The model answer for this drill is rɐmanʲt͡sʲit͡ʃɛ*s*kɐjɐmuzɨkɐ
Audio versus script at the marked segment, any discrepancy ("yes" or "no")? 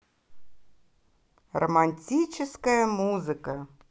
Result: no